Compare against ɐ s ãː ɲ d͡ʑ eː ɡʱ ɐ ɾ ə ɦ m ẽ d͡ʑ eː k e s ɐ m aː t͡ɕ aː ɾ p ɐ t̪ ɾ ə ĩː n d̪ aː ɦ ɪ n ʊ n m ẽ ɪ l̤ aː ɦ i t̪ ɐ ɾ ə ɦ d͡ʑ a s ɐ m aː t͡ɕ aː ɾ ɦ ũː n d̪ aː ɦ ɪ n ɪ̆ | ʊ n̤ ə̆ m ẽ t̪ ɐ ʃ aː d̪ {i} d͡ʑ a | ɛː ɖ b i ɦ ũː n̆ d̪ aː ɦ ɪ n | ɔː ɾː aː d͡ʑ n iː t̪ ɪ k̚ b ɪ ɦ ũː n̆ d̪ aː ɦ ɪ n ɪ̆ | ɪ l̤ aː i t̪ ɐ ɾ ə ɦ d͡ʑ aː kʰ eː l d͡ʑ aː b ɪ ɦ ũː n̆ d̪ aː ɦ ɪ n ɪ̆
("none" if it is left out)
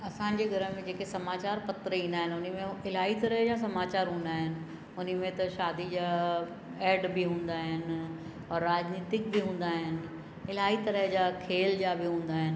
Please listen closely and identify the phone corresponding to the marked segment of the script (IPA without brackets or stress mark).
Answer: i